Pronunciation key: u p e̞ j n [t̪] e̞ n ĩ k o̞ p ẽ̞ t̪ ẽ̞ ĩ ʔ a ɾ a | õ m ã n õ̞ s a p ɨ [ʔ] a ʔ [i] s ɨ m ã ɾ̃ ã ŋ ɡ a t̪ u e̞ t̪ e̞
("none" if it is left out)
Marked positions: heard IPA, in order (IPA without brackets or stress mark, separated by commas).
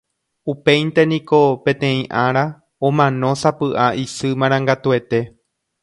t̪, ʔ, i